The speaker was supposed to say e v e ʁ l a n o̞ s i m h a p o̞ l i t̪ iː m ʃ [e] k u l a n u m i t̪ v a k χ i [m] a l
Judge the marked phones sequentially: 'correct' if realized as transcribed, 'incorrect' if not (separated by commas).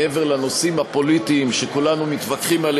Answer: correct, correct